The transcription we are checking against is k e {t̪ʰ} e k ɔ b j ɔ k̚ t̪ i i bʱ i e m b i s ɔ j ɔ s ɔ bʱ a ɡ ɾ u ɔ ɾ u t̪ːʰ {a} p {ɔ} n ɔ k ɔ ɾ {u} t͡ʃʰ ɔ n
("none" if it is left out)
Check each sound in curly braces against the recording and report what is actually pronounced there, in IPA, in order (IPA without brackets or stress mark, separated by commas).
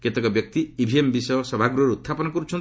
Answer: t̪, a, ɔ, u